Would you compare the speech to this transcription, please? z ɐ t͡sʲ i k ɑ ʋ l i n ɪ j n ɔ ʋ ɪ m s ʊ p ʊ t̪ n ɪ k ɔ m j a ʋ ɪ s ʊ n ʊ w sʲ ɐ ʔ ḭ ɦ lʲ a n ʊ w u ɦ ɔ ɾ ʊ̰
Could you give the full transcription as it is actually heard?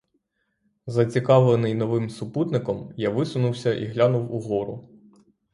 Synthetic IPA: z ɐ t͡sʲ i k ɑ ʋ l e n ɪ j n ɔ ʋ ɪ m s ʊ p u t̪ n ɪ k ɔ m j a ʋ ɪ s ʊ n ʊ w sʲ ɐ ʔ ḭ ɦ lʲ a n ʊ w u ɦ ɔ ɾ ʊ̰